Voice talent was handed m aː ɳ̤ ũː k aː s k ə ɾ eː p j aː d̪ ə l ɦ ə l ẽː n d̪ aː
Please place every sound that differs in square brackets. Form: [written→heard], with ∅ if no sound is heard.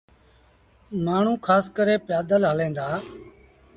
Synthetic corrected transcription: m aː ɳ̤ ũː [k→kʰ] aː s k ə ɾ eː p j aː d̪ ə l ɦ ə l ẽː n d̪ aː